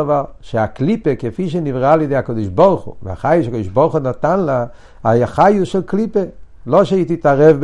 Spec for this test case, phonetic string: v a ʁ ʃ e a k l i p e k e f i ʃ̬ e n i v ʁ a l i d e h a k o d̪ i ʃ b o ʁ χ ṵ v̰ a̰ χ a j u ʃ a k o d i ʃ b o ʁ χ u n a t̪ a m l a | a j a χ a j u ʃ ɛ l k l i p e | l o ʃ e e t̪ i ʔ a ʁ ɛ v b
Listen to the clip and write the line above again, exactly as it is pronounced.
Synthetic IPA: v a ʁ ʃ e a k l i p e k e f i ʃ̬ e n i v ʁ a l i d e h a k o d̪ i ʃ b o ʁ χ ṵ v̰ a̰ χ a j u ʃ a k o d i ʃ b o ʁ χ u n a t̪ a n l a | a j a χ a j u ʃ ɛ l k l i p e | l o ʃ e i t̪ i t a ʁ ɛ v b